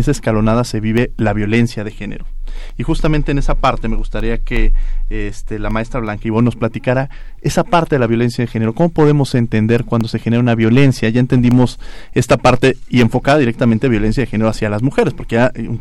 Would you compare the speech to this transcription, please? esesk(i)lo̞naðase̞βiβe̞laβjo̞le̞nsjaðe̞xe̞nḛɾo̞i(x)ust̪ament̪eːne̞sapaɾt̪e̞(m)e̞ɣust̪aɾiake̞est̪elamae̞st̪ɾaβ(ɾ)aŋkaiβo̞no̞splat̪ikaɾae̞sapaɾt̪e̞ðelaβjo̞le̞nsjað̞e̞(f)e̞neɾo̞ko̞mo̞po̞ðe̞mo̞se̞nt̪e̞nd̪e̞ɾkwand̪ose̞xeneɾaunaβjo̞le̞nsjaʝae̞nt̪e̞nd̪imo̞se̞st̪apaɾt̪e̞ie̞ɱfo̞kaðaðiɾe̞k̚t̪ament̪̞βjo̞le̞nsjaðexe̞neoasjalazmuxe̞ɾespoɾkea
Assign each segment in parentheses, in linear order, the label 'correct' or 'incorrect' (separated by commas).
incorrect, correct, correct, incorrect, incorrect